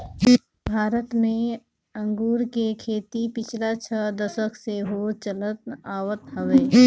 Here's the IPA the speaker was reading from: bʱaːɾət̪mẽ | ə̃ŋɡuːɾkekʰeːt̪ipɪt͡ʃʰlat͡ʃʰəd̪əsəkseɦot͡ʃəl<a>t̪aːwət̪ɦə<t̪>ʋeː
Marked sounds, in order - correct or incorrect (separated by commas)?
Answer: incorrect, incorrect